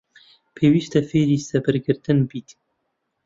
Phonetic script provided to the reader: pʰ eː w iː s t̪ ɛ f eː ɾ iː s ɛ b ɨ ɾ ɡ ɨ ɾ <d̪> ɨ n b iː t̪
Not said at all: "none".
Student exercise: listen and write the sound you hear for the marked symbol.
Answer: t̪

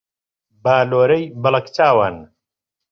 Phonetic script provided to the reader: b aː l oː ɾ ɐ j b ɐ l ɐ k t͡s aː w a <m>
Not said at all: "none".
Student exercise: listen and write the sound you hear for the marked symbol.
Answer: n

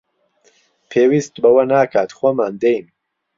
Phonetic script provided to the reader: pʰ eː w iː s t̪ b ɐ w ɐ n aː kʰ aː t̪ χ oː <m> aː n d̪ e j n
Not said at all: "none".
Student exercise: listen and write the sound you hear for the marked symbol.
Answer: m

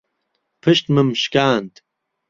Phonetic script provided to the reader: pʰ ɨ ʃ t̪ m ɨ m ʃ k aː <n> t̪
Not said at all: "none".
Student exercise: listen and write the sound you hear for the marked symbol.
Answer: n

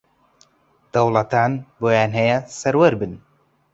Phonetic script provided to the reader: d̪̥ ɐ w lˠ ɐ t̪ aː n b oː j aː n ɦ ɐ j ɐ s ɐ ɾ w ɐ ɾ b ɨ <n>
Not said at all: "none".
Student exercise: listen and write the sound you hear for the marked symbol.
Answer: n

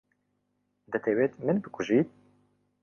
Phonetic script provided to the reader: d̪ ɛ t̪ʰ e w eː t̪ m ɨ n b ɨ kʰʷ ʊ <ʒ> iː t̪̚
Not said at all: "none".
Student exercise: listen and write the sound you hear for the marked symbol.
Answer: ʒ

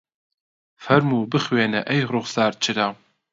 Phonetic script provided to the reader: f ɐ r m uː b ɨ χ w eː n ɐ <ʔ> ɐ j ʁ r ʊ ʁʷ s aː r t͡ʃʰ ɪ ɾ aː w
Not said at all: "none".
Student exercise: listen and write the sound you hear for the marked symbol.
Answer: ʔ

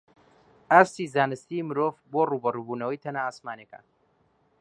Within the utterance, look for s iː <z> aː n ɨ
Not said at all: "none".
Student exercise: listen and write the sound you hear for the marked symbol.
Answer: z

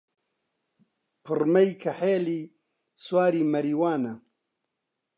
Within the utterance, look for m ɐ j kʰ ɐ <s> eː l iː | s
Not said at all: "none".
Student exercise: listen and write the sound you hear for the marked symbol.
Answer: ħ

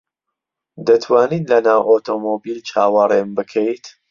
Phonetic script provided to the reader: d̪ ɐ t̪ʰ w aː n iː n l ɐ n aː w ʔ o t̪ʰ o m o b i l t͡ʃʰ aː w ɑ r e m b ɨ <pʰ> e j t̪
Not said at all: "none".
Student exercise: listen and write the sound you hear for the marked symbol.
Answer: kʰ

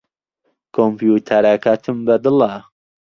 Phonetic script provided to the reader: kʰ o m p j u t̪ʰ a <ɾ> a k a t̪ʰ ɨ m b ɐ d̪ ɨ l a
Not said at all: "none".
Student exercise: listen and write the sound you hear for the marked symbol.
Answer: ɾ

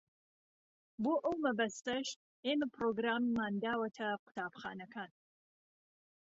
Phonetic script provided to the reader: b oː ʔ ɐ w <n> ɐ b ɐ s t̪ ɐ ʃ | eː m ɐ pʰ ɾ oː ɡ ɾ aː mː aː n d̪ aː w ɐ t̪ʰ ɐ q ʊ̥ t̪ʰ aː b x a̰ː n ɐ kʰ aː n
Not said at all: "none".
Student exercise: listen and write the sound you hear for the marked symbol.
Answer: m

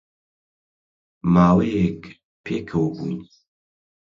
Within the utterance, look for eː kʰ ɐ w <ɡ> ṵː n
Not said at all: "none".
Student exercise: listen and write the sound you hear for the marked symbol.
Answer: b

